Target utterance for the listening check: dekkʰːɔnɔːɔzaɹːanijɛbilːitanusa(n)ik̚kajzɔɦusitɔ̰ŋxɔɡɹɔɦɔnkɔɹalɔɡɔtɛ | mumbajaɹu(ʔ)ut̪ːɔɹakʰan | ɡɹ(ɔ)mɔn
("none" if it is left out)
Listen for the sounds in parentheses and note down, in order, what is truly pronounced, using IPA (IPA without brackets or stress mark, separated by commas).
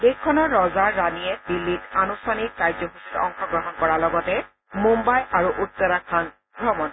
n, ʔ, ɔ